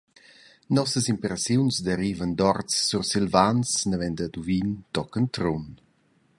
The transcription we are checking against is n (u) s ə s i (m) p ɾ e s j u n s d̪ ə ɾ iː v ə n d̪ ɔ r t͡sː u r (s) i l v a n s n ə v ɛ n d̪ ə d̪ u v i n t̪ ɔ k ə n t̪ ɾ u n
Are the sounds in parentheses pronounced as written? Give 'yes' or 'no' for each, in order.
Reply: no, yes, yes

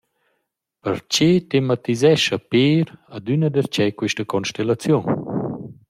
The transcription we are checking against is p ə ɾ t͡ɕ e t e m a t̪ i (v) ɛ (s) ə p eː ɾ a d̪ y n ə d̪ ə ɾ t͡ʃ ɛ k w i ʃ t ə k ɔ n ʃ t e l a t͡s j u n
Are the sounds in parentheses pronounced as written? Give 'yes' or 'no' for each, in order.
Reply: no, no

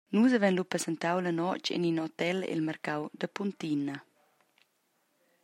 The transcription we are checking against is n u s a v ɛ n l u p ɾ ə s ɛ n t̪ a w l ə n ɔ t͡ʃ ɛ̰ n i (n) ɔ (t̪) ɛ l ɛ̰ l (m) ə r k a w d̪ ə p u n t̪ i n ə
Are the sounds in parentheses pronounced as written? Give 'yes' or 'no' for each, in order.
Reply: yes, yes, yes

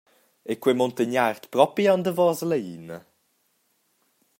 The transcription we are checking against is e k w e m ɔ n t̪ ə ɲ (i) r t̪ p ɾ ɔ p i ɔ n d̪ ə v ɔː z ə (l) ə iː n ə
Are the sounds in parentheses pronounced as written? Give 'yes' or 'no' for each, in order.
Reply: no, yes

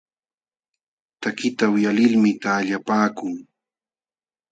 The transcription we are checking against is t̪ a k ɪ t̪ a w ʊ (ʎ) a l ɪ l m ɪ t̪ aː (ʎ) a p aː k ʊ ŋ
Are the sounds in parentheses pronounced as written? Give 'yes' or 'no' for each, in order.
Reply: no, yes

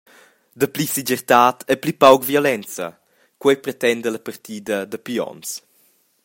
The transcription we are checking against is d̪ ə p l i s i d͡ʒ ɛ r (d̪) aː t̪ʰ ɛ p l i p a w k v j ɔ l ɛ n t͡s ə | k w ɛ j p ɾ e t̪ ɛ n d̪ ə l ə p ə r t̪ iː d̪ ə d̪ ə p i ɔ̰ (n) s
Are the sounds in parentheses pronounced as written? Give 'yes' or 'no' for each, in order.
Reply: no, yes

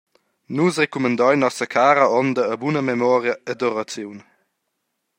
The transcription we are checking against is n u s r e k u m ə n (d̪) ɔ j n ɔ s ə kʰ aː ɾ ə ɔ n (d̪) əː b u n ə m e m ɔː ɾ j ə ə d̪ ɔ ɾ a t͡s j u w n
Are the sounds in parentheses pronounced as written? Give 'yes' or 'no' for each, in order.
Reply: yes, yes

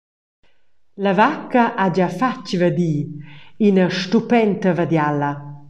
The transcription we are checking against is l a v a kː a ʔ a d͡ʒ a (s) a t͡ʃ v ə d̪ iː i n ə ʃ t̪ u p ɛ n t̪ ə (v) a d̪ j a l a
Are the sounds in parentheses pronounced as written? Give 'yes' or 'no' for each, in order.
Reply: no, yes

